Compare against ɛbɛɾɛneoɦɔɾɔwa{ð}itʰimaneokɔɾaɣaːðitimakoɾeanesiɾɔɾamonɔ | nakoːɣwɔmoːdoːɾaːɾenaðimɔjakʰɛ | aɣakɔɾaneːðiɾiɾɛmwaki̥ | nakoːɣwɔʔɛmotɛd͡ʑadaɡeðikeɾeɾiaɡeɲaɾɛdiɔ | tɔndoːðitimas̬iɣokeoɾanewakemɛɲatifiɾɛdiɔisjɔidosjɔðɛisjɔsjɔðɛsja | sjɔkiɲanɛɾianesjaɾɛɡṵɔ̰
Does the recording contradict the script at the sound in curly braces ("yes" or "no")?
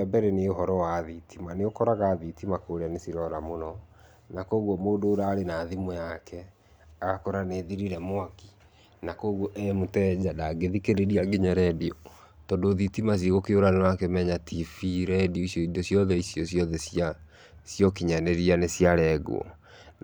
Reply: no